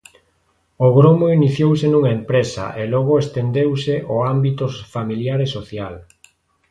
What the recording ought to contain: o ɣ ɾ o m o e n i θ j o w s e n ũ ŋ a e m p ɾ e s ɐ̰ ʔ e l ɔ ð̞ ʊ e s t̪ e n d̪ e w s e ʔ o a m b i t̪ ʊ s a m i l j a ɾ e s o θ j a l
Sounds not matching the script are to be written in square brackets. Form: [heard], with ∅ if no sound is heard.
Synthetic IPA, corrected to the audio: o ɣ ɾ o m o [i] n i θ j o w s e n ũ ŋ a e m p ɾ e s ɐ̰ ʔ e l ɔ [ɣ̞] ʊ e s t̪ e n d̪ e w s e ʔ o a m b i t̪ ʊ [f] a m i l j a ɾ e s o θ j a l